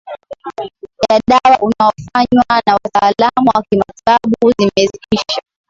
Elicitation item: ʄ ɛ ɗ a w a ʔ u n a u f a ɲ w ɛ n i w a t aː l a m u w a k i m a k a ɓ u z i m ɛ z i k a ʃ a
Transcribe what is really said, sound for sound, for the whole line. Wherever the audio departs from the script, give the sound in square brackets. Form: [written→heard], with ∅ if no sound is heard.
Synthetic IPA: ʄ [ɛ→a] ɗ a w a ʔ u n a [u→ɔ] f a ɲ w [ɛ→a] n [i→a] w a t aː l a m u w a k i m a [k→t] a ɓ u z i m ɛ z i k [a→i] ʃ a

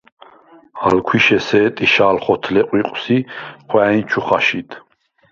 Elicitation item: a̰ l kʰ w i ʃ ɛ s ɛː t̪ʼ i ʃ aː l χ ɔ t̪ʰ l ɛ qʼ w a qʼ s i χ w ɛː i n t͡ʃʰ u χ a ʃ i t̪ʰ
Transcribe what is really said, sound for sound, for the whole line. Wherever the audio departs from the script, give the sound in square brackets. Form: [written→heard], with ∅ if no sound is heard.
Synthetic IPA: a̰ l kʰ w i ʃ ɛ s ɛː t̪ʼ i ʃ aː l χ ɔ t̪ʰ l ɛ qʼ w [a→i] qʼ s i χ w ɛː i n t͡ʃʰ u χ a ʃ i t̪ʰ

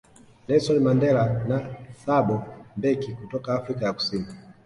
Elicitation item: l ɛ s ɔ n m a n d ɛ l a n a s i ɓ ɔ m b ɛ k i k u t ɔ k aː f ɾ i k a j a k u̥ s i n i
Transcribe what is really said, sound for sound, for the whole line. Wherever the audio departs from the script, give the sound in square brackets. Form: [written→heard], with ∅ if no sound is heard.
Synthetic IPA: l ɛ s ɔ n m a n d ɛ l a n a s [i→a] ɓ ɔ m b ɛ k i k u t ɔ k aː f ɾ i k a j a k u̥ s i n i

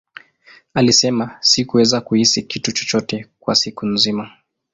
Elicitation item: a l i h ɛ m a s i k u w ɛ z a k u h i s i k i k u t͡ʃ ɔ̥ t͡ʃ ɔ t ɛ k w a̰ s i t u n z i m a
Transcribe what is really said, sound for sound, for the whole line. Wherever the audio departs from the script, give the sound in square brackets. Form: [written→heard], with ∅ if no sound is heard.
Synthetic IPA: a l i [h→s] ɛ m a s i k u w ɛ z a k u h i s i k i [k→t] u t͡ʃ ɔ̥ t͡ʃ ɔ t ɛ k w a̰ s i [t→k] u n z i m a

